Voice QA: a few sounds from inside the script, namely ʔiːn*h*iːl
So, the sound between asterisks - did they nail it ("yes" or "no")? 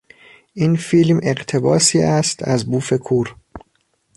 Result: no